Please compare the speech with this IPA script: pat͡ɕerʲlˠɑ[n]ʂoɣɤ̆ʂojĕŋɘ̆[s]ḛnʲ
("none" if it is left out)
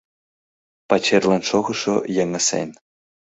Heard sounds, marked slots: n, s

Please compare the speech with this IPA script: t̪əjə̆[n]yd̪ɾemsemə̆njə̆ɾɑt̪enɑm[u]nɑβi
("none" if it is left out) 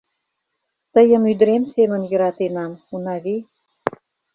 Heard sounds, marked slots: m, u

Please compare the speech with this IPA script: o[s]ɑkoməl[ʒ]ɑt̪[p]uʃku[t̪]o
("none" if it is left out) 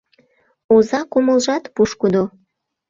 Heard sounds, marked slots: z, ʒ, p, d̪

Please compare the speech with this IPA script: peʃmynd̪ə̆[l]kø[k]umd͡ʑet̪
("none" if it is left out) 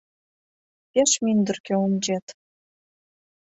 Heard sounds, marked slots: r, none

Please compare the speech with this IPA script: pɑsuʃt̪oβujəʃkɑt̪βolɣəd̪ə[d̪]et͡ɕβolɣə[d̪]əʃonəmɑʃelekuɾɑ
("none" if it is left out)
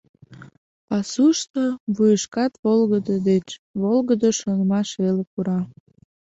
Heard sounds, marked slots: d̪, d̪

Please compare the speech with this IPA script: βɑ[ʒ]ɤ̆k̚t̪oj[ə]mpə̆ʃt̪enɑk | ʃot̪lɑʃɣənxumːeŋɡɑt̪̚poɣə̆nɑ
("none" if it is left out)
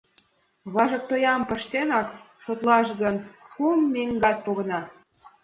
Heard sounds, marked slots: ʒ, ɑ

